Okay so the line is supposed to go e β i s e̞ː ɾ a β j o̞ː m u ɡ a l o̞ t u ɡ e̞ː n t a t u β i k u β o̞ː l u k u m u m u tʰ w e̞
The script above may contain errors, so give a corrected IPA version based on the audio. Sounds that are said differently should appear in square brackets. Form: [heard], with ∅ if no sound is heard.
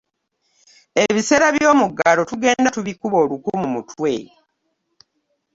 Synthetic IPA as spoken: e β i s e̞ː ɾ a β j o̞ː m u ɡ a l o̞ t u ɡ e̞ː n [d] a t u β i k u β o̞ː l u k u m u m u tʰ w e̞